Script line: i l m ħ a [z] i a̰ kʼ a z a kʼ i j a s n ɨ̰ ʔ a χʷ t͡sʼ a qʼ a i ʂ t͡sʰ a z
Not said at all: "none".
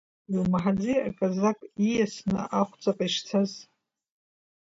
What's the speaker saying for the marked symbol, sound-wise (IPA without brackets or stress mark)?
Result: d͡z